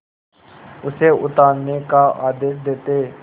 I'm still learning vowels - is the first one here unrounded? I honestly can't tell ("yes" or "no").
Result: no